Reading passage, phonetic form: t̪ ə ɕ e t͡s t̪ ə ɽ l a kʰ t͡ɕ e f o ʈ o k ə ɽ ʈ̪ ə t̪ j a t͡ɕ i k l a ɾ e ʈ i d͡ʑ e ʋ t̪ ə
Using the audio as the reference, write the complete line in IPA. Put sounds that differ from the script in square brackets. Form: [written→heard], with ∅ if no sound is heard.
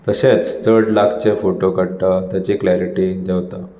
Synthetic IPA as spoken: t̪ ə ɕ e t͡s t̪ ə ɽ l a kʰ t͡ɕ e f o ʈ o k ə ɽ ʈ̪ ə t̪ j a t͡ɕ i k l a ɾ [e→i] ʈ i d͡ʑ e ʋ t̪ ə